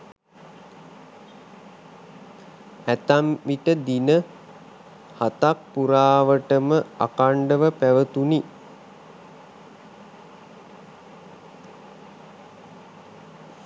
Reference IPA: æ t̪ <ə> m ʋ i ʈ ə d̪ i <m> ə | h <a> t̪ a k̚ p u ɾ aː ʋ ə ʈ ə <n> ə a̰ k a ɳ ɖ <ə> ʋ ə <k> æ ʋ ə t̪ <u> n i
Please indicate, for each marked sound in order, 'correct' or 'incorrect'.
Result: incorrect, incorrect, correct, incorrect, correct, incorrect, correct

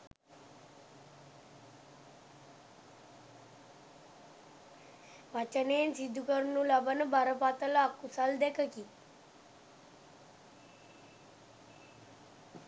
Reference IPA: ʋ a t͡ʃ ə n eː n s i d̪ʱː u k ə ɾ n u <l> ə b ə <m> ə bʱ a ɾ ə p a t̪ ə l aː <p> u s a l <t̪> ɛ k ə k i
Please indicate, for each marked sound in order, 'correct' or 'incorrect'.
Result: correct, incorrect, incorrect, incorrect

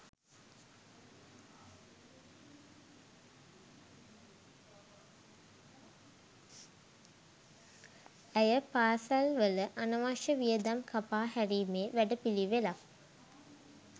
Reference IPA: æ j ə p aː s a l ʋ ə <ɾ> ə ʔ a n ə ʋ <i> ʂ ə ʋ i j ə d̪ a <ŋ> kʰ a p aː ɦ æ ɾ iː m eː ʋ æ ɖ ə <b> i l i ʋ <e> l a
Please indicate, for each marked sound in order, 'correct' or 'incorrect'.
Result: incorrect, incorrect, incorrect, incorrect, correct

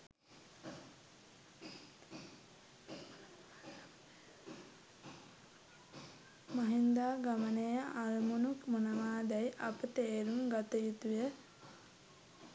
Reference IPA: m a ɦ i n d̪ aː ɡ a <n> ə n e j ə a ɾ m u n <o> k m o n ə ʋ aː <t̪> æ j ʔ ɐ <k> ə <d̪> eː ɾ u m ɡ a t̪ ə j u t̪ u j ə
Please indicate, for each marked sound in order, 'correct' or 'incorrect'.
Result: incorrect, incorrect, incorrect, incorrect, incorrect

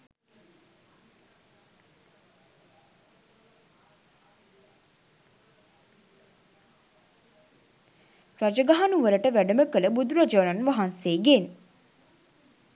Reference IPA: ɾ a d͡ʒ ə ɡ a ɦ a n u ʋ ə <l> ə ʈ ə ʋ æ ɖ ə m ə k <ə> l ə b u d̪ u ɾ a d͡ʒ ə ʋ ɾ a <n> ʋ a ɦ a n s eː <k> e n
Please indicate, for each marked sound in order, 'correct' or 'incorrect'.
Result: incorrect, correct, correct, incorrect

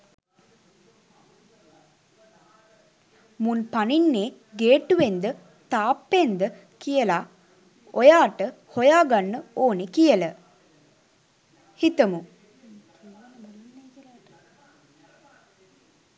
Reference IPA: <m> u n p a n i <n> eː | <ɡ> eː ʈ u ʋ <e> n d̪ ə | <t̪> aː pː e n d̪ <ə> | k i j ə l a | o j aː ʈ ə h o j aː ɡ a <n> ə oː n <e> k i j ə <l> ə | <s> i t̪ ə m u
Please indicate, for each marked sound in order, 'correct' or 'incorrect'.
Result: correct, incorrect, correct, correct, correct, correct, incorrect, correct, correct, incorrect

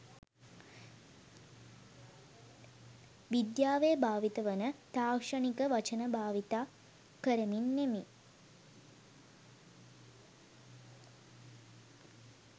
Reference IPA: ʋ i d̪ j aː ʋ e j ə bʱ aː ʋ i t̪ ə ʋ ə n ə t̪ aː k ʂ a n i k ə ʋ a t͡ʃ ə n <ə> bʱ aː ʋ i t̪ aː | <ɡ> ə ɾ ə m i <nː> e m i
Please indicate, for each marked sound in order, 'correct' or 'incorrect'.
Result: correct, incorrect, correct

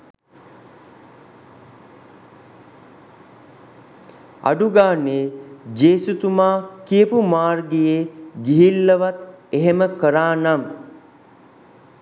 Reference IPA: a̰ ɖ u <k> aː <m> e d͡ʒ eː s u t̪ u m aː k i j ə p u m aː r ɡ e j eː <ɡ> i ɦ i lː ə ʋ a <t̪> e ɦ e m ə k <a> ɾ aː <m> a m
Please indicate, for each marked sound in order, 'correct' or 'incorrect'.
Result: incorrect, incorrect, correct, correct, incorrect, incorrect

